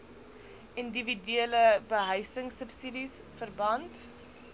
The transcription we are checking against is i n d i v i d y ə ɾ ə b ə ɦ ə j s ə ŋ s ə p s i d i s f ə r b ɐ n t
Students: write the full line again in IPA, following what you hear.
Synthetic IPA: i n d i v i d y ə l ə b ə ɦ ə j s ə ŋ s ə p s i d i s f ə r b ɐ n t